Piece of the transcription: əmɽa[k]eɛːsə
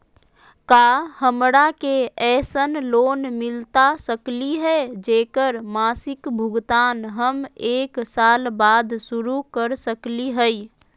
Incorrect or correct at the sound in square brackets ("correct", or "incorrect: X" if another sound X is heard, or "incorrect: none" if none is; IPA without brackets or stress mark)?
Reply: correct